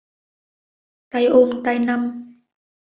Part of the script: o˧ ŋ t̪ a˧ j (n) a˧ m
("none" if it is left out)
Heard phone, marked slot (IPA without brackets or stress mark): n